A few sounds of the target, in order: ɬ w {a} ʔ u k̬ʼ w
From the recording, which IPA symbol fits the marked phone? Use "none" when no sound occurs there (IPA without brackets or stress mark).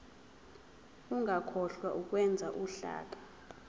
a